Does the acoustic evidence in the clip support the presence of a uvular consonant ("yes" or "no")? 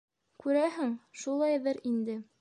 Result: no